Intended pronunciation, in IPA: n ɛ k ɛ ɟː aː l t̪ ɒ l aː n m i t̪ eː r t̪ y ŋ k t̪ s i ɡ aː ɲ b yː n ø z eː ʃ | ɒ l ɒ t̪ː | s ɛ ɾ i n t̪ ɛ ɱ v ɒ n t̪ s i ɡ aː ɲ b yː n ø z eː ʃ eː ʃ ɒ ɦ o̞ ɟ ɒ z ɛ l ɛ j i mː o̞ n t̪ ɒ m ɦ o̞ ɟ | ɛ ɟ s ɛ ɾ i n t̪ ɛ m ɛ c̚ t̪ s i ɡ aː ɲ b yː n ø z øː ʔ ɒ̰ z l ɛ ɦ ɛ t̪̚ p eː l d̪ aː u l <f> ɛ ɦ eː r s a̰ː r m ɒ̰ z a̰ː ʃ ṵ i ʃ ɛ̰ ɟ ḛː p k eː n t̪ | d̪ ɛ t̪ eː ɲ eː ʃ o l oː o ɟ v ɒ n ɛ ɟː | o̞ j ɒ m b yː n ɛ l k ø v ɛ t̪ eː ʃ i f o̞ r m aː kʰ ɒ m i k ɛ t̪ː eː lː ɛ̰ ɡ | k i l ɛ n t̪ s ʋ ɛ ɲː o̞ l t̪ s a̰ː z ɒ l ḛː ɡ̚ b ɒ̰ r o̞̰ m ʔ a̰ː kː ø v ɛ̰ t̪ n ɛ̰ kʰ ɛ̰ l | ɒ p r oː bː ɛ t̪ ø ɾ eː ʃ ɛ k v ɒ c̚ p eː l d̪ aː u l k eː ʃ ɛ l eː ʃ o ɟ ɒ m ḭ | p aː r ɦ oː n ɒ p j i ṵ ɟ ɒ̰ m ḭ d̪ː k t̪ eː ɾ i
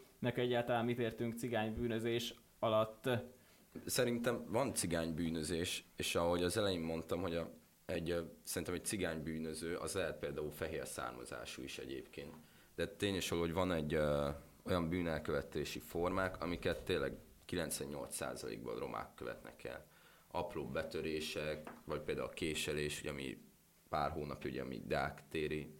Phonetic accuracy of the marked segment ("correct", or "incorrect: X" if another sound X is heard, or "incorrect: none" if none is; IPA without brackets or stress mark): correct